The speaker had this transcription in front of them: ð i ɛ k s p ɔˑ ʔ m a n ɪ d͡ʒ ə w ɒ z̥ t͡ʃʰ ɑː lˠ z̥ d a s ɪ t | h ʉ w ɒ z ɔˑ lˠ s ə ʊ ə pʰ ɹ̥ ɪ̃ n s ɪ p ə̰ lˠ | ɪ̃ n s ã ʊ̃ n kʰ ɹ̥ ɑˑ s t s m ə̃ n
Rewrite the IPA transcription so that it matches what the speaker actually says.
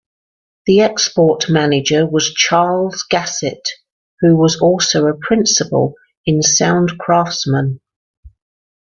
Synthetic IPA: ð i ɛ k s p ɔˑ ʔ m a n ɪ d͡ʒ ə w ɒ z̥ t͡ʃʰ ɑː lˠ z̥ ɡ a s ɪ t | h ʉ w ɒ z ɔˑ lˠ s ə ʊ ə pʰ ɹ̥ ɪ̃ n s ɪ p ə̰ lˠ | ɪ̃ n s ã ʊ̃ n kʰ ɹ̥ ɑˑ f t s m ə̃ n